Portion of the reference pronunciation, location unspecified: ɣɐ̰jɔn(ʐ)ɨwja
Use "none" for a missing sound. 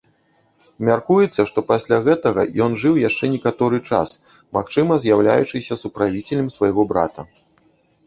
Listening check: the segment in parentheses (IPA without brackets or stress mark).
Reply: ʐ